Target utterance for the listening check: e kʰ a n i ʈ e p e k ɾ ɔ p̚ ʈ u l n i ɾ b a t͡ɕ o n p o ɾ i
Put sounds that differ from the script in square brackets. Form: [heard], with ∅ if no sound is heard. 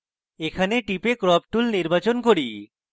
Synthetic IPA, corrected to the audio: e kʰ a n [e] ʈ [i] p e k ɾ ɔ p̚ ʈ u l n i ɾ b a t͡ɕ o n [k] o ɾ i